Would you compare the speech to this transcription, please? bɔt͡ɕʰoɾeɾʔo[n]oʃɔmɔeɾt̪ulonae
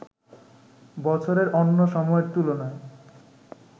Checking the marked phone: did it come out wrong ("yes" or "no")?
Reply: yes